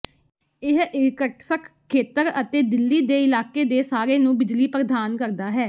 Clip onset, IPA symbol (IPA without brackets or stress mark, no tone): ɪ